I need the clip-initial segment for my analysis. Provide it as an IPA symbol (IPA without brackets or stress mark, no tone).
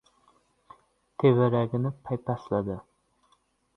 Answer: t̪ʰ